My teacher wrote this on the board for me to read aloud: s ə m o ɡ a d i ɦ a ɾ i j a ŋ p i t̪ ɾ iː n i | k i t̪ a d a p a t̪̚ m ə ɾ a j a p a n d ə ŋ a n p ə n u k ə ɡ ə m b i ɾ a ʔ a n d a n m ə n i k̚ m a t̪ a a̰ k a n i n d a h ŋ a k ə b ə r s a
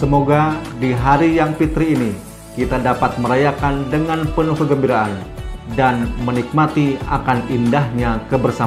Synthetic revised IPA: s ə m o ɡ a d i ɦ a ɾ i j a ŋ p i t̪ ɾ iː n i | k i t̪ a d a p a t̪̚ m ə ɾ a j a k a n d ə ŋ a n p ə n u k ə ɡ ə m b i ɾ a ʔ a n d a n m ə n i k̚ m a t̪ i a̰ k a n i n d a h ɲ a k ə b ə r s a